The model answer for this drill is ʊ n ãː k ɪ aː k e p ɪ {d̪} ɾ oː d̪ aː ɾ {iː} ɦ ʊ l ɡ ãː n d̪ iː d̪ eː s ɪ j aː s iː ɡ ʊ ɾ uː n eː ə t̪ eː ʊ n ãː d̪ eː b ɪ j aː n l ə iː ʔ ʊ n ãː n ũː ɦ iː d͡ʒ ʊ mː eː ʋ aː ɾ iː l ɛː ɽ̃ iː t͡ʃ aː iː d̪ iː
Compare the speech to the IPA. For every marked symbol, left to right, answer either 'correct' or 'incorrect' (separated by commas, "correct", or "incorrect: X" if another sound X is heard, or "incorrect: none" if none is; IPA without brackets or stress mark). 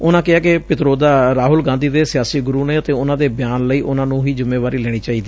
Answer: incorrect: t̪, incorrect: aː